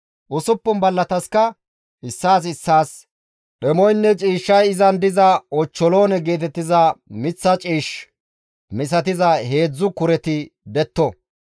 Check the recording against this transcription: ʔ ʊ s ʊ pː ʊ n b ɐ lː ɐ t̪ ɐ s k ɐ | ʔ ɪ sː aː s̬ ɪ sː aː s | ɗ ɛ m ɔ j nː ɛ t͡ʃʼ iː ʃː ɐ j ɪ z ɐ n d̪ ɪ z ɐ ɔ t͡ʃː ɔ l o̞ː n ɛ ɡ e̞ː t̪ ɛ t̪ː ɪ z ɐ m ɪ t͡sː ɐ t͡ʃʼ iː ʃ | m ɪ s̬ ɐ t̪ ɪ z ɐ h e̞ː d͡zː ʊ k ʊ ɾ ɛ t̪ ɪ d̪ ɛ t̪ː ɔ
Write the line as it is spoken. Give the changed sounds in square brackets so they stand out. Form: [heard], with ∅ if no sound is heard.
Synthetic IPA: ʔ ʊ s ʊ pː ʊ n b ɐ lː ɐ t̪ ɐ s k ɐ | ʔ ɪ sː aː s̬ ɪ sː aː s | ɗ ɛ m ɔ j nː ɛ t͡ʃʼ iː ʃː ɐ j ɪ z ɐ n d̪ ɪ z ɐ ɔ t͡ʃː ɔ l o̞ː n ɛ ɡ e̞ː t̪ ɛ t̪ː ɪ z ɐ m ɪ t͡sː ɐ t͡ʃʼ iː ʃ | m ɪ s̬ ɐ t̪ ɪ z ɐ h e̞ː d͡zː ʊ k ʊ ɾ ɛ t̪ ɪ d̪ ɛ t̪ː ɔ